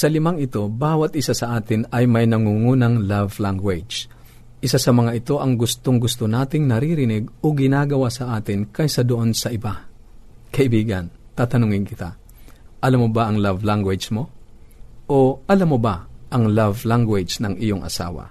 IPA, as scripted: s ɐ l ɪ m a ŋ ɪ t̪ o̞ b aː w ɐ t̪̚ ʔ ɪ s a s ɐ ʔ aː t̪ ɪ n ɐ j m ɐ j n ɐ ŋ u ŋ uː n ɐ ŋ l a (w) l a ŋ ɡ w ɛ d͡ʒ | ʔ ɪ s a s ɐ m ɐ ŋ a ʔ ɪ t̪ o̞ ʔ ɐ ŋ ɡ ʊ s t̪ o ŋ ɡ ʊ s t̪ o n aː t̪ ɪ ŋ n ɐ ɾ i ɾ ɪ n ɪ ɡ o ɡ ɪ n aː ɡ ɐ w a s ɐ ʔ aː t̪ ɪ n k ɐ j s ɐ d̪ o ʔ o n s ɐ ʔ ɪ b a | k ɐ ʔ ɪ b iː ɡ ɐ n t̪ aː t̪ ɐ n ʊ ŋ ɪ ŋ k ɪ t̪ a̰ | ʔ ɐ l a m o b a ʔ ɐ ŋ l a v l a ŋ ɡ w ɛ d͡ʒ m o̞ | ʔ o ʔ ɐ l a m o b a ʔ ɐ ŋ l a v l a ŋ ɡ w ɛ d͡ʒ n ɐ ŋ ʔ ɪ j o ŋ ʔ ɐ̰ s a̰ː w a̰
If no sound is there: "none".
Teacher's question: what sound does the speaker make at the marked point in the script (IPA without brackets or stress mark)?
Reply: v